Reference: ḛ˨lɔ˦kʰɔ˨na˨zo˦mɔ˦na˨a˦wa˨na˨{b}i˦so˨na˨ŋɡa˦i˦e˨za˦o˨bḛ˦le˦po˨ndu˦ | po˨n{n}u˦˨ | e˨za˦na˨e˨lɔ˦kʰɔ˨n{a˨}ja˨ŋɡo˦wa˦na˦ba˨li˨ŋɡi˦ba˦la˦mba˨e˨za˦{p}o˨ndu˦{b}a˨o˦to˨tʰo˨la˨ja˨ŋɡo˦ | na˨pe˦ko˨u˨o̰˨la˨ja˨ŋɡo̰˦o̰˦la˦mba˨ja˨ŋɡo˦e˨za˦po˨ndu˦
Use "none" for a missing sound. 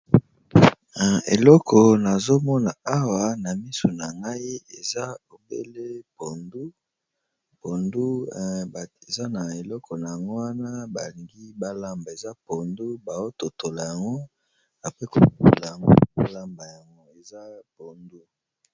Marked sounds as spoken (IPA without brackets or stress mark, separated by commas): m, d, a˨, p, b